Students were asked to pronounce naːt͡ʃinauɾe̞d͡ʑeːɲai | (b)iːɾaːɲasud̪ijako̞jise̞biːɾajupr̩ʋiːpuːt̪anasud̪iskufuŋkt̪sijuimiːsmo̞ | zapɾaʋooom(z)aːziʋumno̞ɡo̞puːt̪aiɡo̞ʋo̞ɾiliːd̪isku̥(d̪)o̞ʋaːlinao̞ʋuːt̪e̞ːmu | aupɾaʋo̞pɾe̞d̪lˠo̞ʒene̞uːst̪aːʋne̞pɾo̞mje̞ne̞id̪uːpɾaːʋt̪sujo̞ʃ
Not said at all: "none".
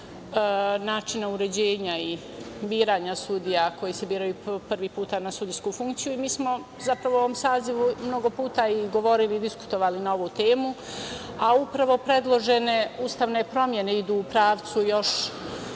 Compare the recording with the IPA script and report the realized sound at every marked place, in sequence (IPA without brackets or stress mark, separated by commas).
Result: b, s, t̪